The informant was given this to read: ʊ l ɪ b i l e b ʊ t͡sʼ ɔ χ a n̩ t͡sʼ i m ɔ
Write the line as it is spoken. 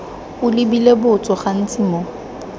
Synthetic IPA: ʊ l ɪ b i l e b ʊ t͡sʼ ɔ χ a n̩ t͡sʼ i m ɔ